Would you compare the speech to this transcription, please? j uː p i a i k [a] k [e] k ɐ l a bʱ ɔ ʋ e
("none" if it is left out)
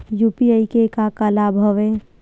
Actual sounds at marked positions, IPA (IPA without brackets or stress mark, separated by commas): e, a